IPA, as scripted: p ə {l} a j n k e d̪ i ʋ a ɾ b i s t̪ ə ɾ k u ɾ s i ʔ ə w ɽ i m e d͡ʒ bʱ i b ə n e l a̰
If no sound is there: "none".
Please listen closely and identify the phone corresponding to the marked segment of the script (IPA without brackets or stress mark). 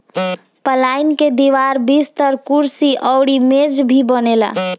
l